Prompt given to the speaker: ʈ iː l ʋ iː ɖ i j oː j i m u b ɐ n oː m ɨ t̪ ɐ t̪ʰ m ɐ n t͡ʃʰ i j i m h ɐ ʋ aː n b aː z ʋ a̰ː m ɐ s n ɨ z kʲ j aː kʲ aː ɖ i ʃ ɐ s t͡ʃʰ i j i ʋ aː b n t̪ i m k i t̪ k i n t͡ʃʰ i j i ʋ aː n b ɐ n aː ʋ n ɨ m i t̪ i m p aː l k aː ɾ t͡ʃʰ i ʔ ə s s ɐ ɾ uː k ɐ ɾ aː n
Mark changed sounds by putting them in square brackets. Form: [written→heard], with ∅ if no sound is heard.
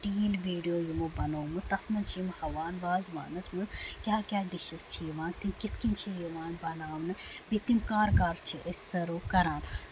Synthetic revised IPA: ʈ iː l ʋ iː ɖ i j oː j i m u b ɐ n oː m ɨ t̪ ɐ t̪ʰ m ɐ n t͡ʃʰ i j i m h ɐ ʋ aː n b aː z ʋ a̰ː [m→n] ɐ s [n→m] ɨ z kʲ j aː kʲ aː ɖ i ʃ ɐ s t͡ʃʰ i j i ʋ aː [b→∅] n t̪ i m k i t̪ k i n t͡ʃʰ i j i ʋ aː n b ɐ n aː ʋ n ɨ [m→b] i t̪ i m [p→k] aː [l→ɾ] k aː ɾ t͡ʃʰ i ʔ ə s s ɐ ɾ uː k ɐ ɾ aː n